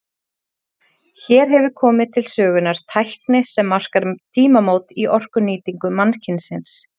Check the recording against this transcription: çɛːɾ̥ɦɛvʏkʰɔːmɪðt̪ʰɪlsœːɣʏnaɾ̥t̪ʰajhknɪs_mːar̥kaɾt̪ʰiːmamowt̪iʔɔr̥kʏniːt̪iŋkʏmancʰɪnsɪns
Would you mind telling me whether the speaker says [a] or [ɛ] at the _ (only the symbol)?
ɛ